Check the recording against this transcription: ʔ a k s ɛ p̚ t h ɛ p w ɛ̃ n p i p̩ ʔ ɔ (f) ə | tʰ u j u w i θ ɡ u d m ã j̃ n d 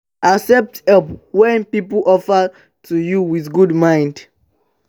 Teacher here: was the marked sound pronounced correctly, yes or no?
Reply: yes